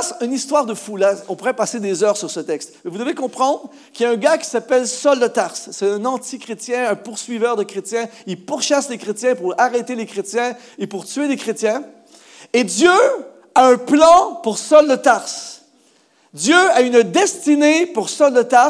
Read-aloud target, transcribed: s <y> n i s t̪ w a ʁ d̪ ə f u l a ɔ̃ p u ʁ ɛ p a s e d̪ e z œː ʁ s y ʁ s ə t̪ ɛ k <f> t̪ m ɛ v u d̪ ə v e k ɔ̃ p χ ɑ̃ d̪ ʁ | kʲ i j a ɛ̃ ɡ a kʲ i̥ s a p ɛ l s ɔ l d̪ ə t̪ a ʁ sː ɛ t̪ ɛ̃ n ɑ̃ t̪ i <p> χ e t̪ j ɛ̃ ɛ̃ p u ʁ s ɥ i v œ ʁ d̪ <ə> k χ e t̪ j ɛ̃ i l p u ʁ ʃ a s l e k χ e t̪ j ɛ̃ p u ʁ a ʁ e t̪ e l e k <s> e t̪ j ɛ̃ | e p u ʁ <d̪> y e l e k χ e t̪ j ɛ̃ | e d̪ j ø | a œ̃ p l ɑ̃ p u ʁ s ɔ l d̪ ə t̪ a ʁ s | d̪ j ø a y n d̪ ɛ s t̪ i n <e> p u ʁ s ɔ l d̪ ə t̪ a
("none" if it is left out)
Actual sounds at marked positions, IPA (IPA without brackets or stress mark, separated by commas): y, s, k, ə, χ, t̪, e